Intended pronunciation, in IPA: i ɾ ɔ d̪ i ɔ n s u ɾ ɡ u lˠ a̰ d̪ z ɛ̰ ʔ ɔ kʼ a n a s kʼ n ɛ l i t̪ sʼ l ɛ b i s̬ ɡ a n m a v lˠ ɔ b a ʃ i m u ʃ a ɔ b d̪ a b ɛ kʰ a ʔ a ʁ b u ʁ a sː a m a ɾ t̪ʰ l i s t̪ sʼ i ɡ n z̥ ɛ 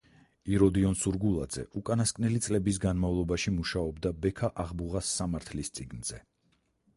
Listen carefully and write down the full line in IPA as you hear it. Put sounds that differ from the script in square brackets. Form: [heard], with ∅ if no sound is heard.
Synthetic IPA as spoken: i ɾ ɔ d̪ i ɔ n s u ɾ ɡ u lˠ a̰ d̪ z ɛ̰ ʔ [u] kʼ a n a s kʼ n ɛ l i t̪ sʼ l ɛ b i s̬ ɡ a n m a v lˠ ɔ b a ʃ i m u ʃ a ɔ b d̪ a b ɛ kʰ a ʔ a ʁ b u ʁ a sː a m a ɾ t̪ʰ l i s t̪ sʼ i ɡ n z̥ ɛ